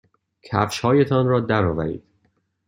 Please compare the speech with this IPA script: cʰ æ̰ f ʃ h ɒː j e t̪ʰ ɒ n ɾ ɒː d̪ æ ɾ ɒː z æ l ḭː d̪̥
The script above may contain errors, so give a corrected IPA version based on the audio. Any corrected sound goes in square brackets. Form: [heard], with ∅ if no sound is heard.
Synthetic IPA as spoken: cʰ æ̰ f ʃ h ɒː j e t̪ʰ ɒ n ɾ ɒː d̪ æ ɾ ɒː [v] æ [ɾ] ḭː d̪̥